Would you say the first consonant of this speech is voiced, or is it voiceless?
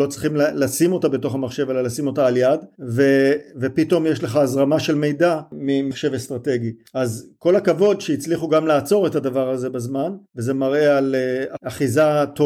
voiceless